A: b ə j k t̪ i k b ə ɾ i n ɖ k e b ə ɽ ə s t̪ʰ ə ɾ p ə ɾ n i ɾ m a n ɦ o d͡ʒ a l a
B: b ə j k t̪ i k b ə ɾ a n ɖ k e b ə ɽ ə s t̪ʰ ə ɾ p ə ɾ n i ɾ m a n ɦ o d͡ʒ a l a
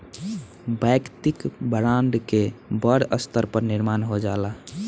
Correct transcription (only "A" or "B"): B